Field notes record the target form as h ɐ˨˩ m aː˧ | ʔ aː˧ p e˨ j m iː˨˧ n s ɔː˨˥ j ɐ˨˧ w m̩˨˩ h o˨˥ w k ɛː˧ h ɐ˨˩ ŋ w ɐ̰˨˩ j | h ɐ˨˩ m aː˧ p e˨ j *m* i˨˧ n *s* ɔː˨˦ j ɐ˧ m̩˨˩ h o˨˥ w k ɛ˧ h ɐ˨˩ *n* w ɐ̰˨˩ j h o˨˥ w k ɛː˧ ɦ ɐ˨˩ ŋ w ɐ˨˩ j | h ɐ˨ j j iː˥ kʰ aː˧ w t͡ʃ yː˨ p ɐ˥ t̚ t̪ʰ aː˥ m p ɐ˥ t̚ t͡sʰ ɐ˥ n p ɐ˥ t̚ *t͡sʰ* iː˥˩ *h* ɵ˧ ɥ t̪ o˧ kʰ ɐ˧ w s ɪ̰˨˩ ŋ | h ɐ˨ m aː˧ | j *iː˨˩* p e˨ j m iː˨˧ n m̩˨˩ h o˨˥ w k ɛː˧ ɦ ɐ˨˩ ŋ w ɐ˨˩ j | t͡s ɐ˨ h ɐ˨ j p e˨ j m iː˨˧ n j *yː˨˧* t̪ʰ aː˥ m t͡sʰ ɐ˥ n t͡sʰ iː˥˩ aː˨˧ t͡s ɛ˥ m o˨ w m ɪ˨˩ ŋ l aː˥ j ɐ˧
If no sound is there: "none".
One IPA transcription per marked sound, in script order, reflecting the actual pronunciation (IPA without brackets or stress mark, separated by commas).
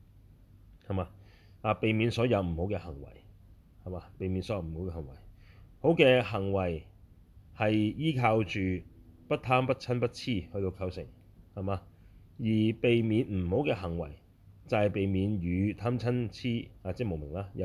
m, s, ŋ, t͡sʰ, h, iː˨˩, yː˨˧